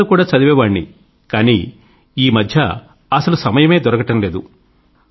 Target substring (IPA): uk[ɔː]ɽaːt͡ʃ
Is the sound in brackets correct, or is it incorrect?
incorrect: uː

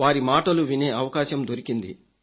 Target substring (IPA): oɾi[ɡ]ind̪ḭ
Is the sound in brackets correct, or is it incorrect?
incorrect: k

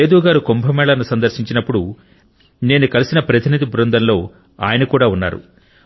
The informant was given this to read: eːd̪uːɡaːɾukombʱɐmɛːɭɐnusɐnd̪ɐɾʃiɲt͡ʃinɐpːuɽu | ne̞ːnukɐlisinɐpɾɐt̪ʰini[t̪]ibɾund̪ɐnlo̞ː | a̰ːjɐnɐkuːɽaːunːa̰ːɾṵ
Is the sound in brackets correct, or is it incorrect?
incorrect: d̪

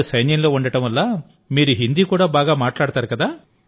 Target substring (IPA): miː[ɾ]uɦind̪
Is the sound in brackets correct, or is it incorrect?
correct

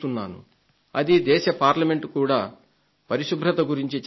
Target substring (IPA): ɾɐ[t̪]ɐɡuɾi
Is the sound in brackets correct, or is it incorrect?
correct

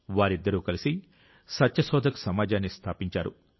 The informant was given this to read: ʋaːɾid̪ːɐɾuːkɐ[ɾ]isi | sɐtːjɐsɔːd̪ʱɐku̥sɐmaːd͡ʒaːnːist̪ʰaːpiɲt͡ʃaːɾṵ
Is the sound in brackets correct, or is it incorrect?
incorrect: l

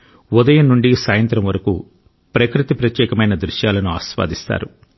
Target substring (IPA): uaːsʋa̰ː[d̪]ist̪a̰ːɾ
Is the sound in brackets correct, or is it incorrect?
correct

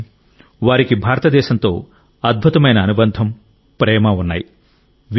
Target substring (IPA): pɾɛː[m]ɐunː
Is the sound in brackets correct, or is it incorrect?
correct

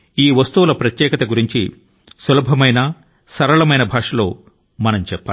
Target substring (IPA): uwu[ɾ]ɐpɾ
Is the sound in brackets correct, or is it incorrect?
incorrect: l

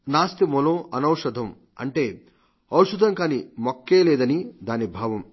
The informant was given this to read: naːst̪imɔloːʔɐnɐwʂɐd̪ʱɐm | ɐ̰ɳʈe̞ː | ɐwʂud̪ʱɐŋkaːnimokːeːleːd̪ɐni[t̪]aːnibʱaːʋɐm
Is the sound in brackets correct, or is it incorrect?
incorrect: d̪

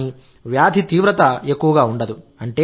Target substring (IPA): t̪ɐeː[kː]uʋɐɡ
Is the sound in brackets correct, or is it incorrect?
correct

